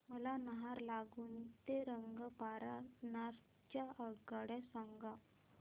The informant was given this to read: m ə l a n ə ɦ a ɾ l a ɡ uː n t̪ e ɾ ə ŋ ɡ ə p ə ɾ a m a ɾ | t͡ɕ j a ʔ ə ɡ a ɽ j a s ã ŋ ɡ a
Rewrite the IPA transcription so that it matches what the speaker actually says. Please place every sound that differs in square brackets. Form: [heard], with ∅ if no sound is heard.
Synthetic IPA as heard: m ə l a n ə ɦ a ɾ l a ɡ uː n t̪ e ɾ ə ŋ ɡ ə p [a] ɾ a [n] a ɾ | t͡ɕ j a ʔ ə ɡ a ɽ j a s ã ŋ ɡ a